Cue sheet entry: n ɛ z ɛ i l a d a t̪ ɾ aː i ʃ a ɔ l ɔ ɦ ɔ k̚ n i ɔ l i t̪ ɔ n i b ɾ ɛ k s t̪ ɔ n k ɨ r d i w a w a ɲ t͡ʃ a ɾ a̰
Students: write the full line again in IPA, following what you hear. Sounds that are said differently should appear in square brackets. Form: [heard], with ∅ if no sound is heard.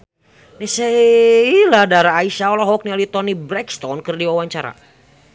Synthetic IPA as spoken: n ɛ [s] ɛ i l a d a [∅] ɾ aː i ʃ a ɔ l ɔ ɦ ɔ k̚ n i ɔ l i t̪ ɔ n i b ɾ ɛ k s t̪ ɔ n k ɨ r d i w a w a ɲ t͡ʃ a ɾ a̰